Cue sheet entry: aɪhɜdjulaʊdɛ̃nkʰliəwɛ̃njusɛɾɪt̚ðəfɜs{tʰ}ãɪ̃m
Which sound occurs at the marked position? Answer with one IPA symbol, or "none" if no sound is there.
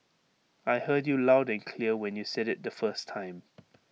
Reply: tʰ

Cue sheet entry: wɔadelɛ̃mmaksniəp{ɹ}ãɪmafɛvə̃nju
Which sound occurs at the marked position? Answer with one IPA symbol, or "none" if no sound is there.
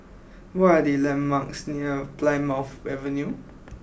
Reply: l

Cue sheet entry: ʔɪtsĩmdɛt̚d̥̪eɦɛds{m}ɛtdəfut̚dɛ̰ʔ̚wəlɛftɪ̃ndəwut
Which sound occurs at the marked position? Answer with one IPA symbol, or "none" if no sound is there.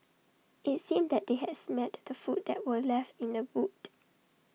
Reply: m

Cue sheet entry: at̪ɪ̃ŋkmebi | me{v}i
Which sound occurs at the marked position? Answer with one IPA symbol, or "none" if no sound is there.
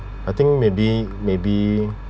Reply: b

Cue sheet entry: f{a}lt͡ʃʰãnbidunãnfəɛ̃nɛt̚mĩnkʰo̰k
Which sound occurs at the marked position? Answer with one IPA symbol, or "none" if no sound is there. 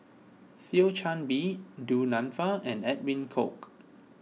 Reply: i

